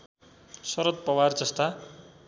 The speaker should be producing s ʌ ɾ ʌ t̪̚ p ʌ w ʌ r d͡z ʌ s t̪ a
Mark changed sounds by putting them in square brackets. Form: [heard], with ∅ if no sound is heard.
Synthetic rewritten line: s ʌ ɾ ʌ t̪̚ p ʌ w [a] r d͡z ʌ s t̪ a